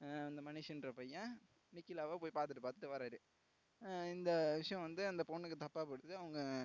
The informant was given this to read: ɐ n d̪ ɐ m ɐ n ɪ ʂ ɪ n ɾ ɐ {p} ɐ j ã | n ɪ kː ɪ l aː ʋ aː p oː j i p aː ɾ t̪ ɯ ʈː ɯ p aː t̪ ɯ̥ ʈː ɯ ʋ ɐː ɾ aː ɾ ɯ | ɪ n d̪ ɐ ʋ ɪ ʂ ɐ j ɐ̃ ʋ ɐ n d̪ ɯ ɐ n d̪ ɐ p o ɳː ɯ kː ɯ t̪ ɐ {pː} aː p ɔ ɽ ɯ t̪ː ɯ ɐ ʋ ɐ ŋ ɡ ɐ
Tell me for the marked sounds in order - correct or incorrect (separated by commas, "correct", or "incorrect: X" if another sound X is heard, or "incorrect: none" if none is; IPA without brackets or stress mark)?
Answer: correct, correct